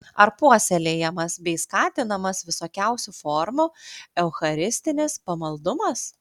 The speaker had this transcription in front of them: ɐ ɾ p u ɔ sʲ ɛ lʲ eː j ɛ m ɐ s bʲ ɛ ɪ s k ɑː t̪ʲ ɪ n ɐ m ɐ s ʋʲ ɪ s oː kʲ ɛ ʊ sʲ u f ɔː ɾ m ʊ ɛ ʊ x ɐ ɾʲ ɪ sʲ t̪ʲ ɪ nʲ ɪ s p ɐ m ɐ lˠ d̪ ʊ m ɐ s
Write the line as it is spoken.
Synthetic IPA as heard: ɐ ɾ p u ɔ sʲ ɛ lʲ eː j ɛ m ɐ s bʲ ɛ ɪ s k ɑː t̪ʲ ɪ n ɐ m ɐ s ʋʲ ɪ s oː kʲ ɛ ʊ sʲ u f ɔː ɾ m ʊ ɛ ʊ x ɐ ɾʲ ɪ sʲ t̪ʲ ɪ nʲ ɪ s p ɐ m ɐ lˠ d̪ ʊ m ɐ s